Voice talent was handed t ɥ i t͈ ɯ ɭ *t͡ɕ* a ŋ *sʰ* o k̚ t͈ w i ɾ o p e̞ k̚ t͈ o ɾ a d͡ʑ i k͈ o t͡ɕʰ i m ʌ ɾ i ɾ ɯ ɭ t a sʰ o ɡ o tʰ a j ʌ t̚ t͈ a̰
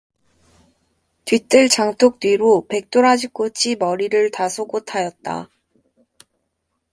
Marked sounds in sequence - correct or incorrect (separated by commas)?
correct, incorrect